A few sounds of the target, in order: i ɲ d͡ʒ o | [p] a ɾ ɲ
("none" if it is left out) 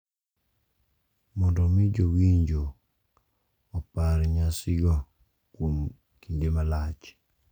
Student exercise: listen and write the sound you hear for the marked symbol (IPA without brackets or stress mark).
p